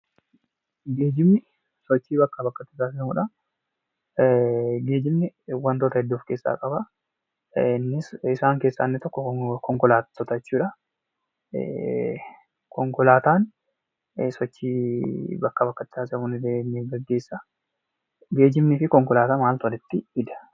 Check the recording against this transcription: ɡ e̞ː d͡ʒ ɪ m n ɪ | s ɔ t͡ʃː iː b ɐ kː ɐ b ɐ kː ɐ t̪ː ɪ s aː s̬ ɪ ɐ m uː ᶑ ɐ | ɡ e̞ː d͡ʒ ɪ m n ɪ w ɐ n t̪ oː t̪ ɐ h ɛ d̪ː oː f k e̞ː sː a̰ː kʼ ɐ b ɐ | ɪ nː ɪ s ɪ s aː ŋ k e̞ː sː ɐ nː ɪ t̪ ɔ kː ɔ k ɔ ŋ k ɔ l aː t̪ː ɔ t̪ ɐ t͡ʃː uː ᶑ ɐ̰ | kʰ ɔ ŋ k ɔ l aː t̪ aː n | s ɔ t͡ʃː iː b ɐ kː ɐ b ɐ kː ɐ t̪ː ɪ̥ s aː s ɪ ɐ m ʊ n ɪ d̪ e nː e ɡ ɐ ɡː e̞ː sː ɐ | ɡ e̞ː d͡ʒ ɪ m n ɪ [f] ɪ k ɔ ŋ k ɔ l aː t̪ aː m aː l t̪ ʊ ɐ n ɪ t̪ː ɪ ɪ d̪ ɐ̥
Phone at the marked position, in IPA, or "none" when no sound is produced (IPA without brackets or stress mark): f